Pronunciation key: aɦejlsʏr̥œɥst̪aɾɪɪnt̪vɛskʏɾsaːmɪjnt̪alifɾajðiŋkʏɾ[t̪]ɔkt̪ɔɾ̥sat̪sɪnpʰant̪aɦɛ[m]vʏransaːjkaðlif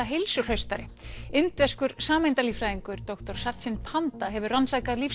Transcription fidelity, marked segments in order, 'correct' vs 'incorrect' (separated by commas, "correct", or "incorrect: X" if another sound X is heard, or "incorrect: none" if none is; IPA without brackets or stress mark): correct, incorrect: none